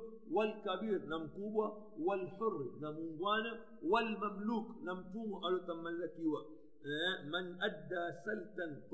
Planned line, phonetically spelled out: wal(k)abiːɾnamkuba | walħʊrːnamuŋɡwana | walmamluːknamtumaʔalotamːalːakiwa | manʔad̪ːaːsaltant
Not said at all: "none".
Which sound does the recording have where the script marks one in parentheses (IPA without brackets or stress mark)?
k